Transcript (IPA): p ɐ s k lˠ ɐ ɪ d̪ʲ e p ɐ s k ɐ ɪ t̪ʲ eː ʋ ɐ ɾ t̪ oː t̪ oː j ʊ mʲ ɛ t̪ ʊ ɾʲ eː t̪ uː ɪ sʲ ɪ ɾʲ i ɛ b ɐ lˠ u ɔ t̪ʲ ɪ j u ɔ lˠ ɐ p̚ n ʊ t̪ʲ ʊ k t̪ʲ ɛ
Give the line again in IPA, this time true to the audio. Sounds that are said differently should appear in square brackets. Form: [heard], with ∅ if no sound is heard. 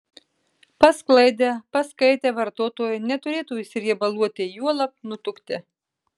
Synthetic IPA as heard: p ɐ s k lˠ ɐ ɪ d̪ʲ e p ɐ s k ɐ ɪ t̪ʲ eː ʋ ɐ ɾ t̪ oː t̪ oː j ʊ [nʲ] ɛ t̪ ʊ ɾʲ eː t̪ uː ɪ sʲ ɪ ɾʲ i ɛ b ɐ lˠ u ɔ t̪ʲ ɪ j u ɔ lˠ ɐ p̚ n ʊ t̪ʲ ʊ k t̪ʲ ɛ